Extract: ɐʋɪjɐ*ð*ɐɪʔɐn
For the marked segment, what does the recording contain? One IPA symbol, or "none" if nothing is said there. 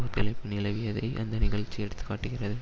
ð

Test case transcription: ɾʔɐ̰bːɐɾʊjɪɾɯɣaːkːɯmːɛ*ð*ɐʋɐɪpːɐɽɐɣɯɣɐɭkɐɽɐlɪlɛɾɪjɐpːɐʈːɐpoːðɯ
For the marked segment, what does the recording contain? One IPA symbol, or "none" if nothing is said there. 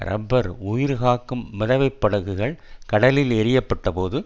ð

